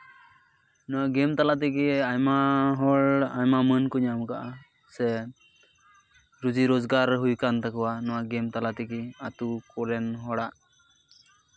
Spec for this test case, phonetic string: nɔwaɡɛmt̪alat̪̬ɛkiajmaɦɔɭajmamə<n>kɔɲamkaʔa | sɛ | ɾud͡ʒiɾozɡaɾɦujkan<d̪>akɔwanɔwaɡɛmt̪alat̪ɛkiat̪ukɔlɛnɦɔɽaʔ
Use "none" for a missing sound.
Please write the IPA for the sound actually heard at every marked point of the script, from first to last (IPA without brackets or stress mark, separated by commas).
n, t̪